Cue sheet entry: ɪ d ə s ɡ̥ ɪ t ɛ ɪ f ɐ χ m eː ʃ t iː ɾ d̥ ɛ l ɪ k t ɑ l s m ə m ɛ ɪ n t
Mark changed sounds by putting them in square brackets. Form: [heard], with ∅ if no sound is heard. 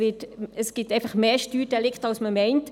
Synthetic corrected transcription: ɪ [t] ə s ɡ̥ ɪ t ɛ ɪ f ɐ χ m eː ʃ t [yː] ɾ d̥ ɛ l ɪ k t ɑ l s m ə m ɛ ɪ n t